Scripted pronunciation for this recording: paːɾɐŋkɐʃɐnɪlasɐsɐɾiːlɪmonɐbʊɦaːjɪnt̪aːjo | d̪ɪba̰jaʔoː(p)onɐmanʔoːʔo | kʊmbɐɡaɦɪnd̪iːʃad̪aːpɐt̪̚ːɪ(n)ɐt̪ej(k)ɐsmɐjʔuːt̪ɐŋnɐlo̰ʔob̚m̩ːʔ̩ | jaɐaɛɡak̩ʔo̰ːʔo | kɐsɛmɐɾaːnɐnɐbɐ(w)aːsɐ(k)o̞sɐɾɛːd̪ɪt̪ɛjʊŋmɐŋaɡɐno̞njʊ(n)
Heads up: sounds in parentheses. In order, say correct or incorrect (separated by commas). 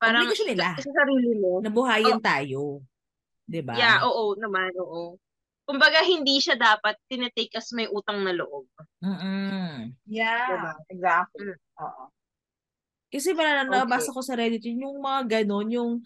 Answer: incorrect, correct, correct, incorrect, correct, incorrect